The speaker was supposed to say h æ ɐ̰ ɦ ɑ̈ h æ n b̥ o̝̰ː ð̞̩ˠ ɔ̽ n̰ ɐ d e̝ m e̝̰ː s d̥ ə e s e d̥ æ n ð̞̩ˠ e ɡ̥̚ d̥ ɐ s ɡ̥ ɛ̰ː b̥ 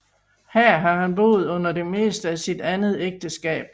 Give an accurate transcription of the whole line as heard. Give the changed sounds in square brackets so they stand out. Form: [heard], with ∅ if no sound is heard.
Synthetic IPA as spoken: h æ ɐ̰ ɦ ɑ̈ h æ n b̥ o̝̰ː ð̞̩ˠ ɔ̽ n̰ ɐ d e̝ m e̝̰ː s d̥ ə [æ] s [i] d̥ æ n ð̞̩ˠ e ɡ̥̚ d̥ [ə] s ɡ̥ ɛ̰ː b̥